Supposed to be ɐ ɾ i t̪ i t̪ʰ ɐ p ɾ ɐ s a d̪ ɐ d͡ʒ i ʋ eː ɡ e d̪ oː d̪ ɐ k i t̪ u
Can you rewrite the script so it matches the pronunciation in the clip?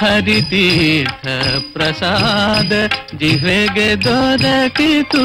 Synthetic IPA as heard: ɐ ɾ i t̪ i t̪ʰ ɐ p ɾ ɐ s a d̪ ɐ d͡ʒ i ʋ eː ɡ e d̪ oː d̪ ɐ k i t̪ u